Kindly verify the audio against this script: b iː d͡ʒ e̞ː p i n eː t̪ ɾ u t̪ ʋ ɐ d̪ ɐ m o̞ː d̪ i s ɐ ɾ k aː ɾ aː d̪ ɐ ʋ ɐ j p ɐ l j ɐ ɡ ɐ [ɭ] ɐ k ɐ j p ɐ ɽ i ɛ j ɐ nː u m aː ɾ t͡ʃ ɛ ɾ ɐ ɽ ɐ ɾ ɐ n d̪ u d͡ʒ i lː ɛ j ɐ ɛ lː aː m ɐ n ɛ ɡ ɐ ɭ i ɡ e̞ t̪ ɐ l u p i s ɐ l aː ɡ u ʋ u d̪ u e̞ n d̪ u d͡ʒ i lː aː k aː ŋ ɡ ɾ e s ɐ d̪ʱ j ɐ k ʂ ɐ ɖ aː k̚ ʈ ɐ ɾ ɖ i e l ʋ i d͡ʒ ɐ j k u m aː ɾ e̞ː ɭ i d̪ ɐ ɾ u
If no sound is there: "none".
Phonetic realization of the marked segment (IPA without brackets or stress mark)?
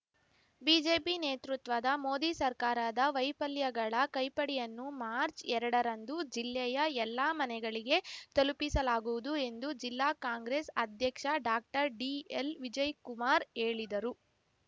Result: ɭ